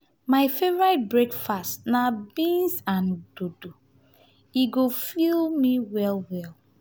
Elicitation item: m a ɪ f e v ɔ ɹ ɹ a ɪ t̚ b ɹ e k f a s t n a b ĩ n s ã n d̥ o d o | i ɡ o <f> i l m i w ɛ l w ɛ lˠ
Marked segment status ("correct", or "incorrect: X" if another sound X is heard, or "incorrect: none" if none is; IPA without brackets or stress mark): correct